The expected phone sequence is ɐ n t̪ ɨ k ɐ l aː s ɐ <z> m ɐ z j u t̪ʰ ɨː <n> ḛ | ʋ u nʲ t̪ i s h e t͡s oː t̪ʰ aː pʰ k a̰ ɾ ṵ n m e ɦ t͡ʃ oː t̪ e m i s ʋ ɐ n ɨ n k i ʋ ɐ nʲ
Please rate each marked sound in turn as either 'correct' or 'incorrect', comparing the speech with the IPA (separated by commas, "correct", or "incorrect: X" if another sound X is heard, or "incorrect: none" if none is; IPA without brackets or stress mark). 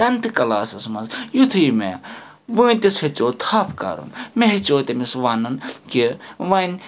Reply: incorrect: s, incorrect: m